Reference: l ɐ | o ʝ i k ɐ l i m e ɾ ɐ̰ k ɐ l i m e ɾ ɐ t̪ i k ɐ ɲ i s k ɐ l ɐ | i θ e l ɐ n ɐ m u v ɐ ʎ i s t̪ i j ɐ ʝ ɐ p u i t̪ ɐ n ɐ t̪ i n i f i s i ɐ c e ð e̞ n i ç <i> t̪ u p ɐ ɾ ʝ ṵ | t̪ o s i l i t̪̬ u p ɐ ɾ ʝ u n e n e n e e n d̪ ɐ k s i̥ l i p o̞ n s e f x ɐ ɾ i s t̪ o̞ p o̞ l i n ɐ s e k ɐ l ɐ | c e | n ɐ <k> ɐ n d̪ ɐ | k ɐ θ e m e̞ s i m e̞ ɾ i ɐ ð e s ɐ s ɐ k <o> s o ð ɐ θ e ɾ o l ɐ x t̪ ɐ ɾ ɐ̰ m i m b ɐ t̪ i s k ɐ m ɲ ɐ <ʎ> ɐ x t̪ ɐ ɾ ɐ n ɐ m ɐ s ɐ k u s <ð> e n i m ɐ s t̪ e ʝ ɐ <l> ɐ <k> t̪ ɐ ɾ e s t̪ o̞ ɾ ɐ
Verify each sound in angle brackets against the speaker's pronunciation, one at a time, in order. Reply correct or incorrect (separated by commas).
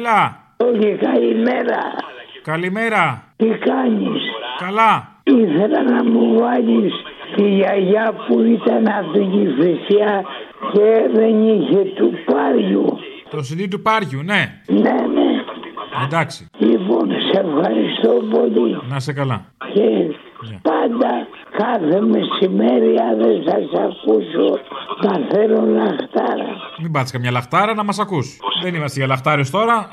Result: incorrect, incorrect, incorrect, incorrect, correct, correct, incorrect